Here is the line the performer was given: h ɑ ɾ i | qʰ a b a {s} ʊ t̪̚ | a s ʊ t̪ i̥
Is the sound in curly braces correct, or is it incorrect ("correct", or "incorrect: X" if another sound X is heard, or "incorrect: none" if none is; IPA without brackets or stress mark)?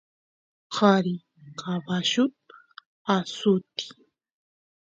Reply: incorrect: ʃ